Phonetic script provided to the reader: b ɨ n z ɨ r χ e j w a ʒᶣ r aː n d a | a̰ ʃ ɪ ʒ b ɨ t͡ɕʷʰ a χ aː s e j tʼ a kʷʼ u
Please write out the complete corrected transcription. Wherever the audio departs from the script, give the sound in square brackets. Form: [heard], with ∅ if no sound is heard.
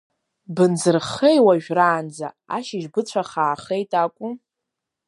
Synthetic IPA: b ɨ n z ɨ r χ e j w a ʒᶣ r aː n [d͡z] a | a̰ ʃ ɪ ʒ b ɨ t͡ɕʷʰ a χ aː [χ] e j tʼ a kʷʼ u